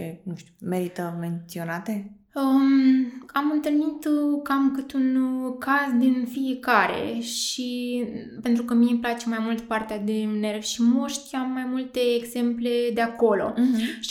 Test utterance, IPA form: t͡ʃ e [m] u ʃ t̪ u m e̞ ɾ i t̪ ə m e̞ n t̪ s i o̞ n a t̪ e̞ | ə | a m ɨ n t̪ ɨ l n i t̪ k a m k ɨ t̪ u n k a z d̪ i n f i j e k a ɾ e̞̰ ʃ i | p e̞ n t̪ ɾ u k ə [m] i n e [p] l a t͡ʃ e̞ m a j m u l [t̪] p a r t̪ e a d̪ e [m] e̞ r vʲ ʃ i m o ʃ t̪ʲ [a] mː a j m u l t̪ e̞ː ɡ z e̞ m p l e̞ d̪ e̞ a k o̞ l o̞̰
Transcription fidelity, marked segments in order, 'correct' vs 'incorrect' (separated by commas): incorrect, correct, correct, correct, incorrect, correct